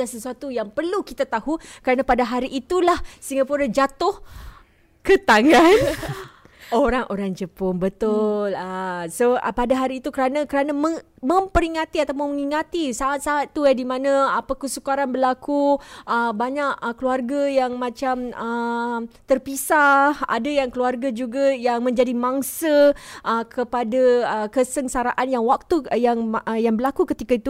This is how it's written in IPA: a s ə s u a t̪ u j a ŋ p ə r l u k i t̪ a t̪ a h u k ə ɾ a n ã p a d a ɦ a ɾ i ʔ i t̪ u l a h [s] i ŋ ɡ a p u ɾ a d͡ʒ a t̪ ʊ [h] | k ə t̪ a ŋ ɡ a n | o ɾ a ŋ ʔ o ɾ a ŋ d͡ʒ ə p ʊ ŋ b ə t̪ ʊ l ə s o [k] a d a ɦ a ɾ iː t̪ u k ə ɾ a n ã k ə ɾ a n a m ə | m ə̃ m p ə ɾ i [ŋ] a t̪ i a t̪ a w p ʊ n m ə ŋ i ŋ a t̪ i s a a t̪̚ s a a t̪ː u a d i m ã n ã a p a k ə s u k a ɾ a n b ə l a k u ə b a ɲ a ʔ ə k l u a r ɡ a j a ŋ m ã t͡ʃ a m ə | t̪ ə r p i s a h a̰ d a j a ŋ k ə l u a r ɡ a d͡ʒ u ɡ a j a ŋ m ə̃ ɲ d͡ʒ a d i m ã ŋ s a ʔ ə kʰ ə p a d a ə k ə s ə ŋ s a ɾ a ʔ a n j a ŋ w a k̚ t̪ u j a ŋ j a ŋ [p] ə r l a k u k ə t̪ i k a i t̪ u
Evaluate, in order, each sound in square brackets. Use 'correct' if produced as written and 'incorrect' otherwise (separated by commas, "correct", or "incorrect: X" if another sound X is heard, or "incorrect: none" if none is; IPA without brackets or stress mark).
correct, correct, incorrect: p, correct, incorrect: b